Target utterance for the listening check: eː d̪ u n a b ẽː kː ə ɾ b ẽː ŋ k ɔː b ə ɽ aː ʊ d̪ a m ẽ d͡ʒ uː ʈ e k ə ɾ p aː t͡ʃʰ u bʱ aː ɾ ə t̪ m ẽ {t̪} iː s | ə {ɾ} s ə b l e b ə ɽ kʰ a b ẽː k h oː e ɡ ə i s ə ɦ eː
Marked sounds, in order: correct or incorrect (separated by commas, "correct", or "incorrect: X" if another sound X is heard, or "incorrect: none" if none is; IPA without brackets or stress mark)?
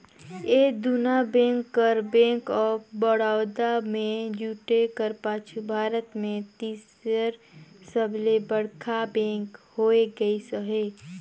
correct, correct